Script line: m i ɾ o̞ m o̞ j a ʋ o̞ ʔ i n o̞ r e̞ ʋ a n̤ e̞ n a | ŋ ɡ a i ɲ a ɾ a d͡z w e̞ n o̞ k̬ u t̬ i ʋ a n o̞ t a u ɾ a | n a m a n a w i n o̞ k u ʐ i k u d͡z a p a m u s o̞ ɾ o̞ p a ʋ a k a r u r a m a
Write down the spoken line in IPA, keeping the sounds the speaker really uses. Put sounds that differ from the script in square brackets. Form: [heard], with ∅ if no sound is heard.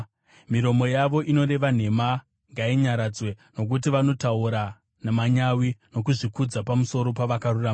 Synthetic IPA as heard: m i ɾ o̞ m o̞ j a ʋ o̞ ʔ i n o̞ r e̞ ʋ a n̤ e̞ [m] a | ŋ ɡ a i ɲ a ɾ a d͡z w e̞ n o̞ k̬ u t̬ i ʋ a n o̞ t a u ɾ a | n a m a [ɲ] a w i n o̞ k u ʐ i k u d͡z a p a m u s o̞ ɾ o̞ p a ʋ a k a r u r a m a

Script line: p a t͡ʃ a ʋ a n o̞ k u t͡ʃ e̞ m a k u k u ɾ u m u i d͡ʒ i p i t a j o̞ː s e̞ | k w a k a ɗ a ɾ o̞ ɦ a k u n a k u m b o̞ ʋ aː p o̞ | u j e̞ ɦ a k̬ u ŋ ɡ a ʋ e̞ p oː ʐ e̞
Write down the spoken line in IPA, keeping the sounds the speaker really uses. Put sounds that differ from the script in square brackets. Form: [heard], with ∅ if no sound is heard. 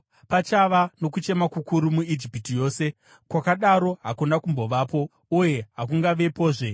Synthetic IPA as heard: p a t͡ʃ a ʋ a n o̞ k u t͡ʃ e̞ m a k u k u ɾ u m u i d͡ʒ i p i t [i] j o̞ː s e̞ | k w a k a ɗ a ɾ o̞ ɦ a k u n a k u m b o̞ ʋ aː p o̞ | u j e̞ ɦ a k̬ u ŋ ɡ a ʋ e̞ p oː ʐ e̞

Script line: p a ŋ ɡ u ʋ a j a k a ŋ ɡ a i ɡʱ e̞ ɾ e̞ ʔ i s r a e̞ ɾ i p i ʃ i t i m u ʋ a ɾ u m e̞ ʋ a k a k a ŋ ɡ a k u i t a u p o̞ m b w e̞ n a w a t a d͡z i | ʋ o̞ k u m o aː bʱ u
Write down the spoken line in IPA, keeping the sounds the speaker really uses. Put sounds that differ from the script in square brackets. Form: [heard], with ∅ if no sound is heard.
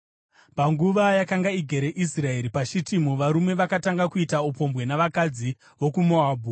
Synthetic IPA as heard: p a ŋ ɡ u ʋ a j a k a ŋ ɡ a i ɡʱ e̞ ɾ e̞ ʔ i s r a e̞ ɾ i p [a] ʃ i t i m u ʋ a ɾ u m e̞ ʋ a k a [t] a ŋ ɡ a k u i t a u p o̞ m b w e̞ n a [ʋ] a [k] a d͡z i | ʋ o̞ k u m o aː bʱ u

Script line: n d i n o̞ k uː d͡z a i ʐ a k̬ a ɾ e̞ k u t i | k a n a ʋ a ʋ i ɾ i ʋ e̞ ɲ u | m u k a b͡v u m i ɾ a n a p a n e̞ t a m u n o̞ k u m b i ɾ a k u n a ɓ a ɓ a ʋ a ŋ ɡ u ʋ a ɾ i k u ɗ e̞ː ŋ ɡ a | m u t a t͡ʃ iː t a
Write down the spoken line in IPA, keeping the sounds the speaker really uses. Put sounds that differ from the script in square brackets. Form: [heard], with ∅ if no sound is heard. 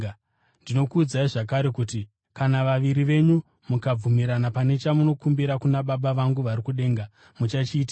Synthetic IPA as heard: n d i n o̞ k uː d͡z a i ʐ a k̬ a ɾ e̞ k u t i | k a n a ʋ a ʋ i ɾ i ʋ e̞ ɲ u | m u k a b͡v u m i ɾ a n a p a n e̞ [t͡ʃ] a m u n o̞ k u m b i ɾ a k u n a ɓ a ɓ a ʋ a ŋ ɡ u ʋ a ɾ i k u ɗ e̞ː ŋ ɡ a | m u [t͡ʃ] a t͡ʃ iː t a

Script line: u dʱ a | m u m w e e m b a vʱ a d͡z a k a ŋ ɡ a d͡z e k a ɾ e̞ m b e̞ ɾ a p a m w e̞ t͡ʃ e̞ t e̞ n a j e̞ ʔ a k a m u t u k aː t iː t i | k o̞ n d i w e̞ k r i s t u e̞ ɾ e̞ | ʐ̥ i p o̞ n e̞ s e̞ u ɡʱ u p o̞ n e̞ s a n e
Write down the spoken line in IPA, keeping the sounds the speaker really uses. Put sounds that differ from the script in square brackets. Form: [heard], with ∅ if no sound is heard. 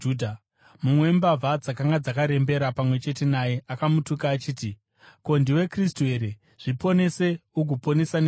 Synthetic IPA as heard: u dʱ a | m u m w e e m b a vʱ a d͡z a k a ŋ ɡ a d͡z [a] k a ɾ e̞ m b e̞ ɾ a p a m w e̞ t͡ʃ e̞ t e̞ n a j e̞ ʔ a k a m u t u k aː [t͡ʃ] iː t i | k o̞ n d i w e̞ k r i s t u e̞ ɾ e̞ | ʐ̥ i p o̞ n e̞ s e̞ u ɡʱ u p o̞ n e̞ s a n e

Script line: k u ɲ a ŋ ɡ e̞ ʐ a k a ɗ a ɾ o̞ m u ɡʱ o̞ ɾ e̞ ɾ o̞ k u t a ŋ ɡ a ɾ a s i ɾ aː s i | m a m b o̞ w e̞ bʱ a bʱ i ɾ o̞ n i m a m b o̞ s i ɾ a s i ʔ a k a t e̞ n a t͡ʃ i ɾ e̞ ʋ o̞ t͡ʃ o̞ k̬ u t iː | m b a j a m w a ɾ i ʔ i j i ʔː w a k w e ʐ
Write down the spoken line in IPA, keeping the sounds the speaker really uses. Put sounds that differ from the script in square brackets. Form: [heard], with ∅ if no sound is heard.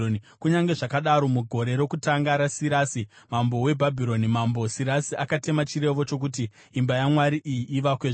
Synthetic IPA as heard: k u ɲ a ŋ ɡ e̞ ʐ a k a ɗ a ɾ o̞ m u ɡʱ o̞ ɾ e̞ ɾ o̞ k u t a ŋ ɡ a ɾ a s i ɾ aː s i | m a m b o̞ w e̞ bʱ a bʱ i ɾ o̞ n i m a m b o̞ s i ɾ a s i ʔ a k a t e̞ [m] a t͡ʃ i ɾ e̞ ʋ o̞ t͡ʃ o̞ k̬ u t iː | m b a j a m w a ɾ i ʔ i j i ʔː [ʋ] a k w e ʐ

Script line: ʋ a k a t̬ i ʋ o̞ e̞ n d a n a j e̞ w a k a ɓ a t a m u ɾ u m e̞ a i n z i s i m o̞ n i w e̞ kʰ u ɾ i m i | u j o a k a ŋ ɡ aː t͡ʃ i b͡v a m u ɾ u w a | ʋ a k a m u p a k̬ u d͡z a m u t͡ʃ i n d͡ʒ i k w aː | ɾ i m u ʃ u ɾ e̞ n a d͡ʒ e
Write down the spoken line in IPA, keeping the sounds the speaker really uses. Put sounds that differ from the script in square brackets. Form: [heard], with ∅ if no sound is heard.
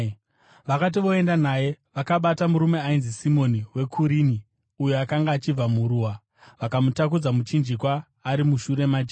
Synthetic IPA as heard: ʋ a k a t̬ i ʋ o̞ e̞ n d a n a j e̞ [ʋ] a k a ɓ a t a m u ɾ u m e̞ a i n z i s i m o̞ n i w e̞ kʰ u ɾ i [n] i | u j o a k a ŋ ɡ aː t͡ʃ i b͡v a m u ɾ u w a | ʋ a k a m u [t] a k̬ u d͡z a m u t͡ʃ i n d͡ʒ i k w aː | ɾ i m u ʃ u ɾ e̞ [m] a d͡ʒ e

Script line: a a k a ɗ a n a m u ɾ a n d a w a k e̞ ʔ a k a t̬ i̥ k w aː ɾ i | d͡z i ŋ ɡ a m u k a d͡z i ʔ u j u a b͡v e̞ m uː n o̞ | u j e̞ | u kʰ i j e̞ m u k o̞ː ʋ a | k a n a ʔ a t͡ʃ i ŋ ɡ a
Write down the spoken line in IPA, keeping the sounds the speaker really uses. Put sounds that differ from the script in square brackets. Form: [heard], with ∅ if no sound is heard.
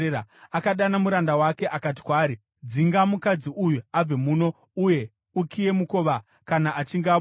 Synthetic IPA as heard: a a k a ɗ a n a m u ɾ a n d a w a k e̞ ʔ a k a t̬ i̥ k w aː ɾ i | d͡z i ŋ ɡ a m u k a d͡z i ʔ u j u a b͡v e̞ m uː n o̞ | u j e̞ | u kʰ i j e̞ m u k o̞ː ʋ a | k a n a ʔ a t͡ʃ i ŋ ɡ a

